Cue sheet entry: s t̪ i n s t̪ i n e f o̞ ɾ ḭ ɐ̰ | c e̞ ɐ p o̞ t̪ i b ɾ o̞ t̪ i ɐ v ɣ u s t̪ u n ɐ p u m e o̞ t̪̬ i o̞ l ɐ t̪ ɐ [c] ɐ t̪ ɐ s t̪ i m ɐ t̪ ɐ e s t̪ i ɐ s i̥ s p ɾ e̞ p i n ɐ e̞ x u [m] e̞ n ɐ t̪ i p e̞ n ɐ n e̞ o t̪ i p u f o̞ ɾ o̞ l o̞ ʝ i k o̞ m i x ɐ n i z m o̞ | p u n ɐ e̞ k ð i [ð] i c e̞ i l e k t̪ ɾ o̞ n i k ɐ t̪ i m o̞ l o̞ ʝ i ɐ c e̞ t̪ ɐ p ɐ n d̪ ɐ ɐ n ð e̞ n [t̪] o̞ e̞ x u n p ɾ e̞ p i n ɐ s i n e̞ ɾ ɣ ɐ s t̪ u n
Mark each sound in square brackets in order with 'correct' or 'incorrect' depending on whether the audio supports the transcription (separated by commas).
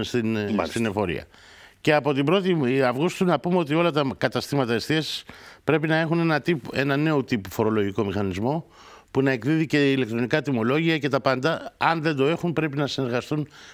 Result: incorrect, incorrect, correct, incorrect